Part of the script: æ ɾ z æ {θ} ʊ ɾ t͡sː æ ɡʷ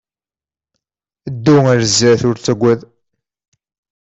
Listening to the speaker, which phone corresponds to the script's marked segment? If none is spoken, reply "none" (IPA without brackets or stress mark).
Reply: θ